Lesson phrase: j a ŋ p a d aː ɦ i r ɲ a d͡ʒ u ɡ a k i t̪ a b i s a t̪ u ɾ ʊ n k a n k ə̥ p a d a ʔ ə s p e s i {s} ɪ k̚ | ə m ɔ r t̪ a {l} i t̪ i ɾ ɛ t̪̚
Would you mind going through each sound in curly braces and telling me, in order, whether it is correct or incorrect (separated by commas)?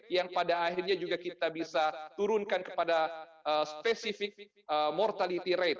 incorrect, correct